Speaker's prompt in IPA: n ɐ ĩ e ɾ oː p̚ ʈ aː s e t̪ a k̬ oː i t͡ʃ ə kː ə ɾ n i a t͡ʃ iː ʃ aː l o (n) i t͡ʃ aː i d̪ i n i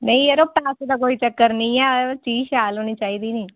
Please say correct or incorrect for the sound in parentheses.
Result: correct